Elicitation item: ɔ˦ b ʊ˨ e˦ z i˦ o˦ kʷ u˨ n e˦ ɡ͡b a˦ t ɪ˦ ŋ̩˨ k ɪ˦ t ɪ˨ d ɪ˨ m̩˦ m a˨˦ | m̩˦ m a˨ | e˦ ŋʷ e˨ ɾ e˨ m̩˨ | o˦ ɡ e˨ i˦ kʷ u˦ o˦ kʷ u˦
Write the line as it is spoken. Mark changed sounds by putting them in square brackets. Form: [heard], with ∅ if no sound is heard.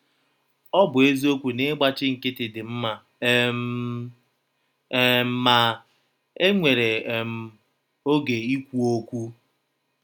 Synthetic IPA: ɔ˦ b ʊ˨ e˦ z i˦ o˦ kʷ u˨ n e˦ ɡ͡b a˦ [t͡ʃ] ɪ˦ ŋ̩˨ k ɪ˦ t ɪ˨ d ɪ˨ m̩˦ m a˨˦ | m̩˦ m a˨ | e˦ ŋʷ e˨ ɾ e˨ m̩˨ | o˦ ɡ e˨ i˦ kʷ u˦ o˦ kʷ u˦